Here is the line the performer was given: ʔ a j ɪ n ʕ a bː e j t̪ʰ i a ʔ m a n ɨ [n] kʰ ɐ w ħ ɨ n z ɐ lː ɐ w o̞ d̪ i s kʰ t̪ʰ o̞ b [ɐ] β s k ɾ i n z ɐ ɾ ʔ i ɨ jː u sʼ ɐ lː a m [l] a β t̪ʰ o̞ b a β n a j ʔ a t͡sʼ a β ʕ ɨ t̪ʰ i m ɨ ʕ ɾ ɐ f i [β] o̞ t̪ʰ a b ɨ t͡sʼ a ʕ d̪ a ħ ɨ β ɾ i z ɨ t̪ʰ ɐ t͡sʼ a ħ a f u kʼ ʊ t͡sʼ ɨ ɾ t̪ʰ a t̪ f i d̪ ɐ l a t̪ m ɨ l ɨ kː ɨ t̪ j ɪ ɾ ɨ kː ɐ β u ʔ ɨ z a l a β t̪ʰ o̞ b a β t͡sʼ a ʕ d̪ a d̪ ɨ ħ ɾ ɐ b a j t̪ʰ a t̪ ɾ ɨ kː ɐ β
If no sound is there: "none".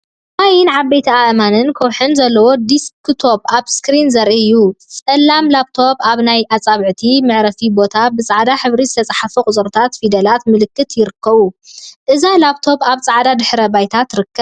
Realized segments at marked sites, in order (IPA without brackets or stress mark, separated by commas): n, a, l, b